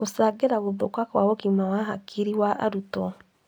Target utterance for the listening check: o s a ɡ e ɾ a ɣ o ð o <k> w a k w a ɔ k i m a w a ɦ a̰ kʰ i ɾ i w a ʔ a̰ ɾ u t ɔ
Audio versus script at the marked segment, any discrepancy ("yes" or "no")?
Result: no